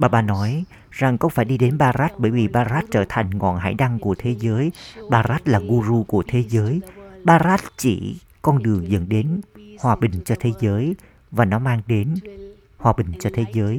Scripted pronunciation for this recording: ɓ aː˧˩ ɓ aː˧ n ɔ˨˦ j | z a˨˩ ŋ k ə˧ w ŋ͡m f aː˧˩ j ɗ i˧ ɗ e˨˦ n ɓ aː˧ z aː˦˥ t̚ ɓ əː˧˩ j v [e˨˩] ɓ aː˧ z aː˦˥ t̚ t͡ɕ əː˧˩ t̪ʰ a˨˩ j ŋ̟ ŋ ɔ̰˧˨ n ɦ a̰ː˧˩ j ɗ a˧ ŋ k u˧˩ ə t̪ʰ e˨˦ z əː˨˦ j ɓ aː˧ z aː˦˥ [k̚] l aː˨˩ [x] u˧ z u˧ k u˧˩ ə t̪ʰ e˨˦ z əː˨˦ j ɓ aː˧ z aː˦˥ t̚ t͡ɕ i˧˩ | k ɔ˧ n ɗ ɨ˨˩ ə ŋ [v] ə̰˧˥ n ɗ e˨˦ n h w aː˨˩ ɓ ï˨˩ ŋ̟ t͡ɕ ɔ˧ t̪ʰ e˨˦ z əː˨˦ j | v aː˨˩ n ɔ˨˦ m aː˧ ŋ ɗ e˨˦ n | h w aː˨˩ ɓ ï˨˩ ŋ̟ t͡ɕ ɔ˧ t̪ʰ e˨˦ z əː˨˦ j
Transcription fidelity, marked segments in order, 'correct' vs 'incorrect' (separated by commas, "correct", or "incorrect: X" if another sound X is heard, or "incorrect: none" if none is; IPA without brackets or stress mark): incorrect: i˨˩, incorrect: t̚, incorrect: ɣ, incorrect: z